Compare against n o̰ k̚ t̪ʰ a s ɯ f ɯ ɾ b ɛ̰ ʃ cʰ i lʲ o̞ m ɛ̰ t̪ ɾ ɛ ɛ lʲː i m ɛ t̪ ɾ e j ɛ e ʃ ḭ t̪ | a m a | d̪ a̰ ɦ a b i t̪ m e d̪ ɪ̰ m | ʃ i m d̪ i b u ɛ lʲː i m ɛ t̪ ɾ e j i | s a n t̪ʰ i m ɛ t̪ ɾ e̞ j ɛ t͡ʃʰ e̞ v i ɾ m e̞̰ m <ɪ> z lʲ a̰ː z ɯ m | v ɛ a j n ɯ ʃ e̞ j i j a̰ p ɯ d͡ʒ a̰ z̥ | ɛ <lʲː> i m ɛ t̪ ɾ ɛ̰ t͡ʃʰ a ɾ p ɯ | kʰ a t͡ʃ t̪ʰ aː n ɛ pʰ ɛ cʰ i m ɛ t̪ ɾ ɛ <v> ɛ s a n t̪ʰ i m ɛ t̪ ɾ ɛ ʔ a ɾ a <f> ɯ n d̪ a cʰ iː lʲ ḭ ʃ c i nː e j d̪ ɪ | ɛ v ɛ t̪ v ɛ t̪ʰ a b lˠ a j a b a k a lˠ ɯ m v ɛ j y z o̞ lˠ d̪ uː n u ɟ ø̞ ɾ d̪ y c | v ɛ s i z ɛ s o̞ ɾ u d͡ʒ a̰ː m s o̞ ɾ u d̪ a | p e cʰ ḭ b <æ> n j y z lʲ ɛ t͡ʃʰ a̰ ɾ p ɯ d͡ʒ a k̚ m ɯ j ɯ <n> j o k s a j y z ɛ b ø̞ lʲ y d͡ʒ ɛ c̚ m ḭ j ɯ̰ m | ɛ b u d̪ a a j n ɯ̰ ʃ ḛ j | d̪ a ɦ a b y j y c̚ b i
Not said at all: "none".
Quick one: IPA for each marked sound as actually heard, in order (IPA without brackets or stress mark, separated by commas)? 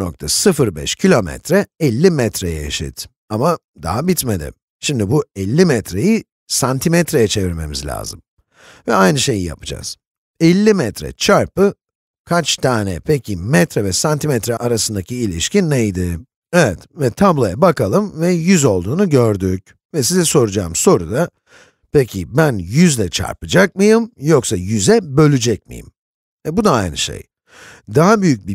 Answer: i, lʲː, v, s, æ, m